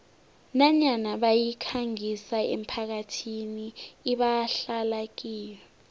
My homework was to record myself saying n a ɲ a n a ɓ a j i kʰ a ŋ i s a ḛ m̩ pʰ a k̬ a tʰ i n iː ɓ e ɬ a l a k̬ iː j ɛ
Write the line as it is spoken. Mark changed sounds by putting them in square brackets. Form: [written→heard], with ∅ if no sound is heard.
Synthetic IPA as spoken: n a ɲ a n a ɓ a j i kʰ a ŋ i s a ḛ m̩ pʰ a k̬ a tʰ i n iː ɓ [e→a] ɬ a l a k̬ iː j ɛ